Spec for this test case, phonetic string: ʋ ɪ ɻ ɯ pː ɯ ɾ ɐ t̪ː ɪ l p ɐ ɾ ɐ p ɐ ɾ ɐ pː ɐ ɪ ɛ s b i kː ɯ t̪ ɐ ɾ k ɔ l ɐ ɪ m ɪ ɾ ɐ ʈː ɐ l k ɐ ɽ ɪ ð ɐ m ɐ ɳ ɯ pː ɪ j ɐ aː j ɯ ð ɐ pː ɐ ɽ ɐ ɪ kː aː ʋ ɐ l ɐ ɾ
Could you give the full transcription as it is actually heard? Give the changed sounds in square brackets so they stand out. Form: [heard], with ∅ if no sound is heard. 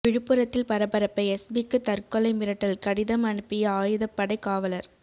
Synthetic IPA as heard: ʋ ɪ ɻ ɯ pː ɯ ɾ ɐ t̪ː ɪ l p ɐ ɾ ɐ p ɐ ɾ ɐ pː ɐ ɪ ɛ s b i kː ɯ t̪ ɐ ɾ k ɔ l ɐ ɪ m ɪ ɾ ɐ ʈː ɐ l k ɐ ɽ ɪ ð ɐ m ɐ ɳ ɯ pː ɪ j ɐ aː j ɯ ð ɐ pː ɐ ɽ ɐ ɪ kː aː ʋ ɐ l ɐ ɾ